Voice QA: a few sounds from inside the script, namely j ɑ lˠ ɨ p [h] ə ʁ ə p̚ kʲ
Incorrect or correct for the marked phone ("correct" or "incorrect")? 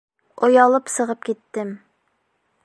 incorrect